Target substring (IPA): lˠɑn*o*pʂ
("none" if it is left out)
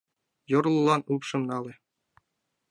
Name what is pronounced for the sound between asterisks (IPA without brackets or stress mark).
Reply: u